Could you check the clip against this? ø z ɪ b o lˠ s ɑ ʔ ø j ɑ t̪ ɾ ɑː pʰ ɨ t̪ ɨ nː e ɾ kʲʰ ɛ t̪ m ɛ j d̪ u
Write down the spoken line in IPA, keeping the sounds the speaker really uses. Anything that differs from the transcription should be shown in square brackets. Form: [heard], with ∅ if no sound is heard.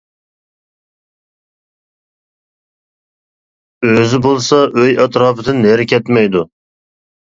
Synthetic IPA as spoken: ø z ɪ b o lˠ s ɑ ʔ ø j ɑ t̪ ɾ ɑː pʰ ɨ [d̪] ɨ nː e ɾ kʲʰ ɛ t̪ m ɛ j d̪ u